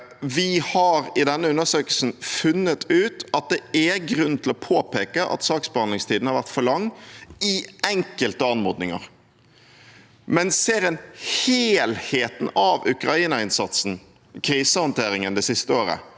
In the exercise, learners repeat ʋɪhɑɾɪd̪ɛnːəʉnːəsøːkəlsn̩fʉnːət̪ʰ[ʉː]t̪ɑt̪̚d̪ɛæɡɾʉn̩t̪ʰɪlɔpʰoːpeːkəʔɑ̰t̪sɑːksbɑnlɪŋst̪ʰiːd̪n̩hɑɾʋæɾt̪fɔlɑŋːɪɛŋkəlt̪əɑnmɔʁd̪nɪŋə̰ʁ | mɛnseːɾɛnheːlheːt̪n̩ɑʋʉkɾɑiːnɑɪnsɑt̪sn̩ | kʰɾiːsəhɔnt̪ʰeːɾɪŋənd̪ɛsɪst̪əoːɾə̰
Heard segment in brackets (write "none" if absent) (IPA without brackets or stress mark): ʉː